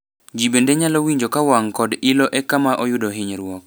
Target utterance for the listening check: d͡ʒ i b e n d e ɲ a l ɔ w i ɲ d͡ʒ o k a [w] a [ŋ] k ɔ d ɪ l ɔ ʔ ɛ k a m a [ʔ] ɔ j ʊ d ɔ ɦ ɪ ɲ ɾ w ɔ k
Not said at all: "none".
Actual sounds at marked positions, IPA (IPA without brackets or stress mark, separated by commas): w, ŋ, ʔ